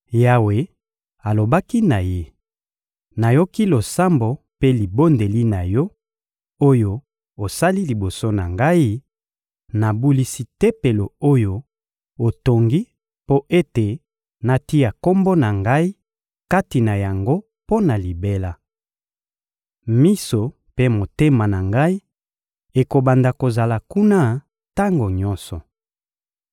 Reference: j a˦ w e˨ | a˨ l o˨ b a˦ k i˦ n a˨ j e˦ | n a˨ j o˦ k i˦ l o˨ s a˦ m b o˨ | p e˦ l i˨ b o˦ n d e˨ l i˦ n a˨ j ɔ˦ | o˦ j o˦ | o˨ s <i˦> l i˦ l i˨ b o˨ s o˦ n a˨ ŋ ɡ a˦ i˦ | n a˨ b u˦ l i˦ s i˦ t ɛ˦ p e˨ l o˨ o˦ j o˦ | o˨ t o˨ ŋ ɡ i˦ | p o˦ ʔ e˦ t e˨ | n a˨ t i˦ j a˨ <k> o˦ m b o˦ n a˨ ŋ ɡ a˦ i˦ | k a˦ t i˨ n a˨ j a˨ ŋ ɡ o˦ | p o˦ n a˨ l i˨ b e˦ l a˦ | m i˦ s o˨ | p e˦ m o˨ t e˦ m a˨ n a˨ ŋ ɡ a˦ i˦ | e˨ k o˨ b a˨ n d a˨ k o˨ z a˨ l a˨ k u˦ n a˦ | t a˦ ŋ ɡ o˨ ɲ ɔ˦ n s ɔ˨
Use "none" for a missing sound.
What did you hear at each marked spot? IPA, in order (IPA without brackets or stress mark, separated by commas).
a˦, k